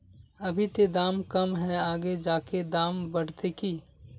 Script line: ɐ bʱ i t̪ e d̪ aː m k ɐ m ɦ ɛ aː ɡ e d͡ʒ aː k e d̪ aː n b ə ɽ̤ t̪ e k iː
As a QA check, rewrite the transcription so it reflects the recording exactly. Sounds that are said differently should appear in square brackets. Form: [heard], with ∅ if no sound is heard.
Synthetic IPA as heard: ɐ bʱ i t̪ e d̪ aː m k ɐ m ɦ ɛ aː ɡ e d͡ʒ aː k e d̪ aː [m] b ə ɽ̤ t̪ e k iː